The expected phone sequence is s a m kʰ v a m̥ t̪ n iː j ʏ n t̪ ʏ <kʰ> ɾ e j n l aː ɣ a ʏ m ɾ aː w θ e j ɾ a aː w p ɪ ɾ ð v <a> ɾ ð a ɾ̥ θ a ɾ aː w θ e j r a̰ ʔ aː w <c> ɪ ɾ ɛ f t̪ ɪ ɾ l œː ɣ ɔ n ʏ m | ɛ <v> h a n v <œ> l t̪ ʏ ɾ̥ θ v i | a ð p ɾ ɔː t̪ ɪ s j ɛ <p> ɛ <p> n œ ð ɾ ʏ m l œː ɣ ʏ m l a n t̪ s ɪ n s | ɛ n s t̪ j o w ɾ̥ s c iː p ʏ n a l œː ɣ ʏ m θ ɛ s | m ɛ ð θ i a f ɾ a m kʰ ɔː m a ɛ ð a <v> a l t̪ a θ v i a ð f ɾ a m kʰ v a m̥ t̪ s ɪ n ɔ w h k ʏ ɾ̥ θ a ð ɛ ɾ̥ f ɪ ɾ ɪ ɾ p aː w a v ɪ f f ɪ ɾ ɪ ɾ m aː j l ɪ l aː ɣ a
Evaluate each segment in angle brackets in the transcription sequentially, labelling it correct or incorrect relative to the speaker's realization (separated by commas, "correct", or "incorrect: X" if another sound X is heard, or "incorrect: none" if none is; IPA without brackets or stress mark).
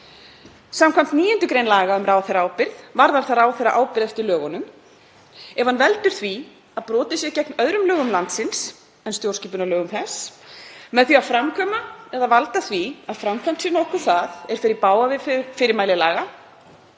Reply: incorrect: k, correct, incorrect: p, correct, incorrect: ɛ, incorrect: c, incorrect: k, correct